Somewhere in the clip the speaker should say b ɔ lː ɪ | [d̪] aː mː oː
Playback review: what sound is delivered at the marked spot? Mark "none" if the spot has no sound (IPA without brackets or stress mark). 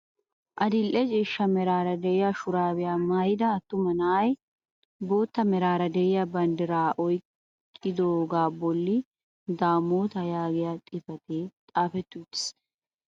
d̪